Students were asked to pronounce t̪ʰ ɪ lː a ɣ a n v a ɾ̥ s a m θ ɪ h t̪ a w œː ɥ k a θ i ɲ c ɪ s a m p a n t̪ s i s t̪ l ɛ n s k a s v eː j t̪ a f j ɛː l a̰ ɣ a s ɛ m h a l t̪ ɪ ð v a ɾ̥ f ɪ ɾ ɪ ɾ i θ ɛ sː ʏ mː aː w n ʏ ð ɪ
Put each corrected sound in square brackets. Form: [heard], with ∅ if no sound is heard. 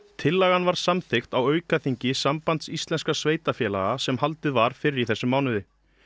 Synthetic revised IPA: t̪ʰ ɪ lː a ɣ a n v a ɾ̥ s a m θ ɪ [x] t̪ a w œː ɥ k a θ i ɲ c ɪ s a m p a n t̪ s i s t̪ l ɛ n s k a s v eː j t̪ a f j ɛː l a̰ ɣ a s ɛ m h a l t̪ ɪ ð v a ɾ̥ f ɪ ɾ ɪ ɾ i θ ɛ sː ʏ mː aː w n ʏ ð ɪ